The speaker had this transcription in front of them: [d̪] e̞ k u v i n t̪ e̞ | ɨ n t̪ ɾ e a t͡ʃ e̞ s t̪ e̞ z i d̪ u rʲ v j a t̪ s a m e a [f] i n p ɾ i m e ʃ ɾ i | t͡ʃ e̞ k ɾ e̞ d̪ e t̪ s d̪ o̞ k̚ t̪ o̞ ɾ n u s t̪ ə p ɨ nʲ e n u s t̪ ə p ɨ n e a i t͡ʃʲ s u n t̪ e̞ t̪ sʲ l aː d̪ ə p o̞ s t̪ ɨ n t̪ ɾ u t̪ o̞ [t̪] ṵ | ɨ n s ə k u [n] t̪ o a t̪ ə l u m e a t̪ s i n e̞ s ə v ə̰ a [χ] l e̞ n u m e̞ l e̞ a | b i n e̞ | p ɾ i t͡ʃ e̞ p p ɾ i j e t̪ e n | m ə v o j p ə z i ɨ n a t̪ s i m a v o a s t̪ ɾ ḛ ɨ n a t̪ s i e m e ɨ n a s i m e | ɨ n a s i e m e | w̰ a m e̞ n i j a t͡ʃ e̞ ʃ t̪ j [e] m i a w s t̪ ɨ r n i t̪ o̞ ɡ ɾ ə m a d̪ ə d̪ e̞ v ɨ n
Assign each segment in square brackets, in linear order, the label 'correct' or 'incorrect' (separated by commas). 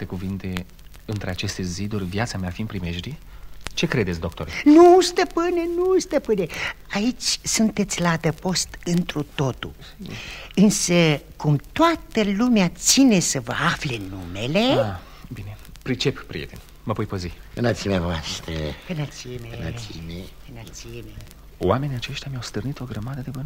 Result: incorrect, correct, correct, incorrect, incorrect, incorrect